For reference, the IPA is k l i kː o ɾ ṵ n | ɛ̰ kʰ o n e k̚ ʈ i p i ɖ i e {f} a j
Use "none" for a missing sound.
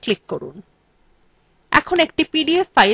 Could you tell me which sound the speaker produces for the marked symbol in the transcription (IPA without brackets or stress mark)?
f